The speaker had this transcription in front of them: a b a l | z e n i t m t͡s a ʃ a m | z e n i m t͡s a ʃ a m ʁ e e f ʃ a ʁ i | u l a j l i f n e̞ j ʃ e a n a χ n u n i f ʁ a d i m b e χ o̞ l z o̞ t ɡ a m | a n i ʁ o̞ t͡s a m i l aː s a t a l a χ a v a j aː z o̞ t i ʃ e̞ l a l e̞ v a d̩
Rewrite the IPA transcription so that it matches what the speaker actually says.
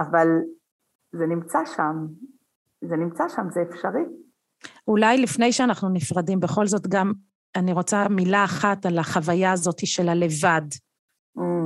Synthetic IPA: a v a l | z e n i m t͡s a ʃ a m | z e n i m t͡s a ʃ a m z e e f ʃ a ʁ i | u l a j l i f n e̞ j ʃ e a n a χ n u n i f ʁ a d i m b e χ o̞ l z o̞ t ɡ a m | a n i ʁ o̞ t͡s a m i l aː χ a t a l a χ a v a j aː z o̞ t i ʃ e̞ l a l e̞ v a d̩